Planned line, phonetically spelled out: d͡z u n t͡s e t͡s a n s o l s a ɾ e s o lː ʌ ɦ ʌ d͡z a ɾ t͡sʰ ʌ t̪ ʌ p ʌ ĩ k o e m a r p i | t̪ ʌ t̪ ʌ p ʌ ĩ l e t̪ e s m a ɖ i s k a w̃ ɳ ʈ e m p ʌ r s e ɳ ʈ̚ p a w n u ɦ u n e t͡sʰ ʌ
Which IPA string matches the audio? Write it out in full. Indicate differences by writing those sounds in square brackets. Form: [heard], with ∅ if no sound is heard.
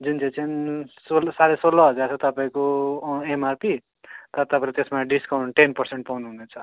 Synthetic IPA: d͡z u n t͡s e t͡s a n s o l s a ɾ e s o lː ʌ ɦ ʌ d͡z a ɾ t͡sʰ ʌ t̪ ʌ p [a] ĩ k o e m a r p i | t̪ ʌ t̪ ʌ p [a] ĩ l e t̪ e s m a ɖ i s k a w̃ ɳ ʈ e [n] p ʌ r s e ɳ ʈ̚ p a w n u ɦ u n e t͡sʰ ʌ